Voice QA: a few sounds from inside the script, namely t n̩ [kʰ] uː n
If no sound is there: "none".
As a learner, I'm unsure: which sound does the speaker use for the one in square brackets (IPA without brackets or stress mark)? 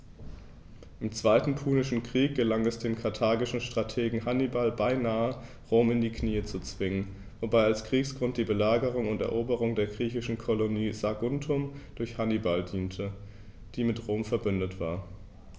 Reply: pʰ